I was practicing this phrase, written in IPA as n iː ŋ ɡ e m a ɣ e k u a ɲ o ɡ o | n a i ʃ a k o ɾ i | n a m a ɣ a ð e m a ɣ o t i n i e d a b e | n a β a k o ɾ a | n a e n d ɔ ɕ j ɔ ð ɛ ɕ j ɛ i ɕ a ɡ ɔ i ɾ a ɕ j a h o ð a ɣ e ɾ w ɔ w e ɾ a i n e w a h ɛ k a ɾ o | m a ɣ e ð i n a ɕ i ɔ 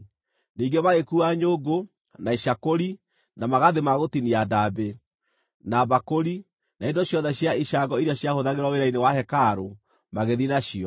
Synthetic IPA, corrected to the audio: n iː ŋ ɡ e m a ɣ e k u a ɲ o ɡ o | n a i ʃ a k o ɾ i | n a m a ɣ a ð e m a ɣ o t i n i a d a b e | n a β a k o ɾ i | n a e n d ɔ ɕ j ɔ ð ɛ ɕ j a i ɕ a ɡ ɔ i ɾ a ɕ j a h o ð a ɣ e ɾ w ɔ w e ɾ a i n e w a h ɛ k a ɾ o | m a ɣ e ð i n a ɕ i ɔ

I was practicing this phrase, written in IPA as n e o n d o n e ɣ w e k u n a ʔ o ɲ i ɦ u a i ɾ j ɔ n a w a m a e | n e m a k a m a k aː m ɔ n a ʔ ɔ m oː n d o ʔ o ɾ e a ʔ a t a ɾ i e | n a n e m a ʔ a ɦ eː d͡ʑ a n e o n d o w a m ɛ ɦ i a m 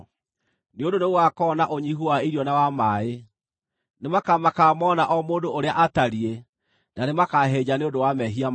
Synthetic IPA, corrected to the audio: n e o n d o n e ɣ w a k ɔ n a ʔ o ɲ i ɦ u a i ɾ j ɔ n a w a m a e | n e m a k a m a k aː m ɔ n a ʔ ɔ m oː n d o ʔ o ɾ e a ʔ a t a ɾ i e | n a n e m a k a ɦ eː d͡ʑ a n e o n d o w a m ɛ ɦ i a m

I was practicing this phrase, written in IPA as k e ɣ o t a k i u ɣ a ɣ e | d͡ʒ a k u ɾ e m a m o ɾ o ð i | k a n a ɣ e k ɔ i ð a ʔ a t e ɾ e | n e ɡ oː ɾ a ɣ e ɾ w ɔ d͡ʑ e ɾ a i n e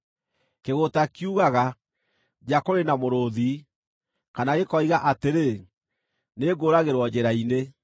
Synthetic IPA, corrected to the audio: k e ɣ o t a k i u ɣ a ɣ a | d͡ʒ a k o ɾ e n a m o ɾ o ð i | k a n a ɣ e k ɔ i ɣ a ʔ a t e ɾ e | n e ɡ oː ɾ a ɣ e ɾ w ɔ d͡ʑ e ɾ a i n e

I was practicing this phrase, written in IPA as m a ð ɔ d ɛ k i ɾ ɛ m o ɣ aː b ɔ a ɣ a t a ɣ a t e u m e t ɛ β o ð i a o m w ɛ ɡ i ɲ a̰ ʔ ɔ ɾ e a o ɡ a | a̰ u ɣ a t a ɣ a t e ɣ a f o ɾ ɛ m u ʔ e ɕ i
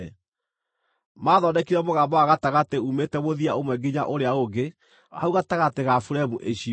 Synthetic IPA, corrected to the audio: m a ð ɔ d ɛ k i ɾ ɛ m o ɣ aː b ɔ a ɣ a t a ɣ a t e u m e t ɛ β o ð i a o m w ɛ ɡ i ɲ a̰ ʔ o ɾ e a o ɡ e | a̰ u ɣ a t a ɣ a t e ɣ a f u ɾ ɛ m u ʔ e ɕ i

